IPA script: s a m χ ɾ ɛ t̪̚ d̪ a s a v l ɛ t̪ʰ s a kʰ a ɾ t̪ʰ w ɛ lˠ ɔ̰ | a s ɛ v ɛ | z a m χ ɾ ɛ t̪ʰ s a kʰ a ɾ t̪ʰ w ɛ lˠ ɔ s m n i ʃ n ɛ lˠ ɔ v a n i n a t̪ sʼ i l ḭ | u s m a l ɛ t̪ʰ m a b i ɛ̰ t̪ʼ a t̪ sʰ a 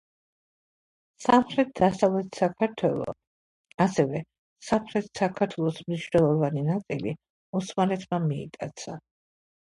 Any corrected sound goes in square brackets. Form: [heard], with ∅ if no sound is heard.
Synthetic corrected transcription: s a m χ ɾ ɛ t̪̚ d̪ a s a v l ɛ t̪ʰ s a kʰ a ɾ t̪ʰ w ɛ lˠ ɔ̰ | a s ɛ v ɛ | [s] a m χ ɾ ɛ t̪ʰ s a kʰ a ɾ t̪ʰ w ɛ lˠ ɔ s m n i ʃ n ɛ lˠ ɔ v a n i n a t̪ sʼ i l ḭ | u s m a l ɛ t̪ʰ m a [m] i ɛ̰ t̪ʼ a t̪ sʰ a